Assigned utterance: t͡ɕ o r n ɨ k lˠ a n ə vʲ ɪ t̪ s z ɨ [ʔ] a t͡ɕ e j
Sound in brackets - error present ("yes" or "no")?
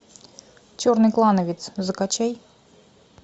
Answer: yes